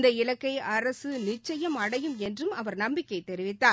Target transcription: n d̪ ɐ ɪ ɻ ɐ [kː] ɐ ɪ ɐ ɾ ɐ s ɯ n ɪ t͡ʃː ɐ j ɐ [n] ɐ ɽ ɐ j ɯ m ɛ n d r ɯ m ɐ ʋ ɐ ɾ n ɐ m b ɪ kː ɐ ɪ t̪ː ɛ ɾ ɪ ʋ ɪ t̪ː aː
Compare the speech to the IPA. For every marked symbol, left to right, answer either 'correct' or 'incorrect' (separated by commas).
correct, incorrect